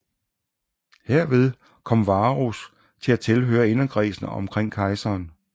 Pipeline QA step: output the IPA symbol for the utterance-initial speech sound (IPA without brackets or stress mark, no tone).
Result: h